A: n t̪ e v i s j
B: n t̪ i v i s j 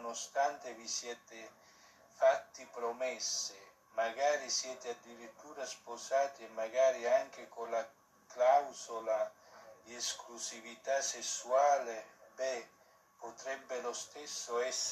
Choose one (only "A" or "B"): A